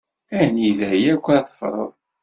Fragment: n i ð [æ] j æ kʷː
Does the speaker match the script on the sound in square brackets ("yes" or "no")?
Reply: yes